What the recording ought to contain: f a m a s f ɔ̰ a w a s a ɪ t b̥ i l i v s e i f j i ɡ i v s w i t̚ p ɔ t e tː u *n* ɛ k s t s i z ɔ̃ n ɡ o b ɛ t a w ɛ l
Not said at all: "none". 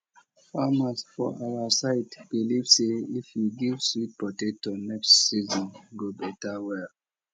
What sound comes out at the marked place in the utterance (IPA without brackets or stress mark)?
n